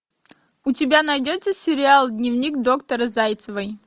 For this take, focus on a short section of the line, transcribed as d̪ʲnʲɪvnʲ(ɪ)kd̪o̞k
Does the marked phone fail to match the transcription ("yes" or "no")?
yes